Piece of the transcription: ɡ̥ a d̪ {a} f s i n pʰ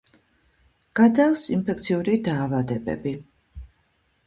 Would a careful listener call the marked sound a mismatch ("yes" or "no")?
no